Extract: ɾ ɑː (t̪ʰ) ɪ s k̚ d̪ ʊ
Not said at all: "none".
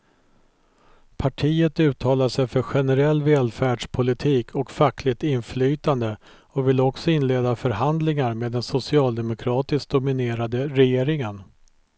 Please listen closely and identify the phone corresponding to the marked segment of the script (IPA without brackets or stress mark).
t̪